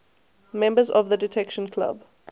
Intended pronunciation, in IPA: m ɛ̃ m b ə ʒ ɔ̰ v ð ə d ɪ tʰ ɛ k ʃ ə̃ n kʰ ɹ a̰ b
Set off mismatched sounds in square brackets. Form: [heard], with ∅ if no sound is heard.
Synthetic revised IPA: m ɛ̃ m b ə [z] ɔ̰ v ð ə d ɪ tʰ ɛ k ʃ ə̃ n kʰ [l] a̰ b